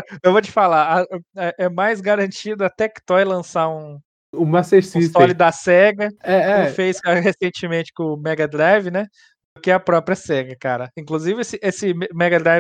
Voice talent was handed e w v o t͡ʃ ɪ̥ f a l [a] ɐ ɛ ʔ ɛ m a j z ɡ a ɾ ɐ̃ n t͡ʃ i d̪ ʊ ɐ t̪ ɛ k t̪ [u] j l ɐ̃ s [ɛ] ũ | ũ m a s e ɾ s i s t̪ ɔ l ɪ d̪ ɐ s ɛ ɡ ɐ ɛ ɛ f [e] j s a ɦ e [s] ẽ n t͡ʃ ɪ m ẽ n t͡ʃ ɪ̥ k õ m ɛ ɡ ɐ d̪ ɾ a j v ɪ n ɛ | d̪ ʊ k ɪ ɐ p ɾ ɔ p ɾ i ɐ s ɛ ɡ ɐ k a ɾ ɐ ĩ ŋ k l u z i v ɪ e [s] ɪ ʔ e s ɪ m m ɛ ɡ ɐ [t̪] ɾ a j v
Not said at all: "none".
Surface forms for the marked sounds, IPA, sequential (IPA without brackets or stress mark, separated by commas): a, ɔ, a, e, s, s, d̪